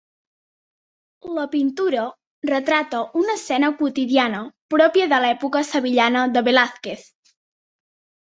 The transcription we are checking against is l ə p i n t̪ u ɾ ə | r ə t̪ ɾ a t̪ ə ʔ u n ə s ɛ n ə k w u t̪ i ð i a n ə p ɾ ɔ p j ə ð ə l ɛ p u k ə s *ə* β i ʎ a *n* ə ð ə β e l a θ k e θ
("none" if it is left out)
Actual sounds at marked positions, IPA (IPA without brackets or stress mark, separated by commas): ə, n